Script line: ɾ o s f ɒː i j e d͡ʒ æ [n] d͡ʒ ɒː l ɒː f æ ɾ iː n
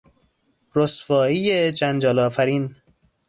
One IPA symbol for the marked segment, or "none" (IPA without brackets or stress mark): n